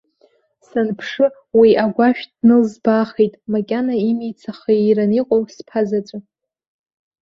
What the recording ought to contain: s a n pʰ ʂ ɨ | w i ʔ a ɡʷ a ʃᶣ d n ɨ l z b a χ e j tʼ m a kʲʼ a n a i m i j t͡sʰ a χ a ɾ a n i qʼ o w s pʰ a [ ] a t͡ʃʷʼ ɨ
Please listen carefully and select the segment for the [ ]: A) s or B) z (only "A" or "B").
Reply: B